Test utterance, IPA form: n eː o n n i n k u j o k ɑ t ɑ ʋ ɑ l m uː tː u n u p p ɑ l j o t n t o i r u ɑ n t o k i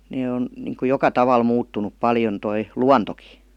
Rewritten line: n eː o n n i ŋ k u j o k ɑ t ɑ ʋ ɑ l m uː tː u n u p p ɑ l j o n t o i l u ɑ n t o k i